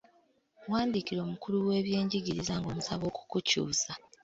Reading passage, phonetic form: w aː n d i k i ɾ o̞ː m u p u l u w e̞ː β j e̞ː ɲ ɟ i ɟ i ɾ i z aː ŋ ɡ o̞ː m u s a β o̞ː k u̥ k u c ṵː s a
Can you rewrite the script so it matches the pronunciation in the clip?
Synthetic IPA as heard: w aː n d i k i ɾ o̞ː m u k u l u w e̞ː β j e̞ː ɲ ɟ i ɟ i ɾ i z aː ŋ ɡ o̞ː m u s a β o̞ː k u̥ k u c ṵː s a